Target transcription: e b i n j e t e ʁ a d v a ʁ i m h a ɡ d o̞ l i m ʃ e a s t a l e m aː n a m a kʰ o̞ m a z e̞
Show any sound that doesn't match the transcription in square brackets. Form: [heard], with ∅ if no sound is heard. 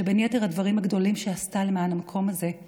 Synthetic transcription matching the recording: e b [e] n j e t e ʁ a d v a ʁ i m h a ɡ d o̞ l i m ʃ e a s t a l e m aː n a m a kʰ o̞ m a z e̞